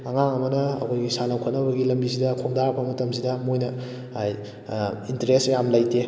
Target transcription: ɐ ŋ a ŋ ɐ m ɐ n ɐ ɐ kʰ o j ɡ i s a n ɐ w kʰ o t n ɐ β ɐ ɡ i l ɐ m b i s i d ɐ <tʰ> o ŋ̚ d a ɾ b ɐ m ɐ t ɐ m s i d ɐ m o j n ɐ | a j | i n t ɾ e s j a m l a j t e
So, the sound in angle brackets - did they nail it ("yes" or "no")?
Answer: no